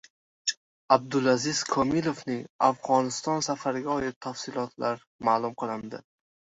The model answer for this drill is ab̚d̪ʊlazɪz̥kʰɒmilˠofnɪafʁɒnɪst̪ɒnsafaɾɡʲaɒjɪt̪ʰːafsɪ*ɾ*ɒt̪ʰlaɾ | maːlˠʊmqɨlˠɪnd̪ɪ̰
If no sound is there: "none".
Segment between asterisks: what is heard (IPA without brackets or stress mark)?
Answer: l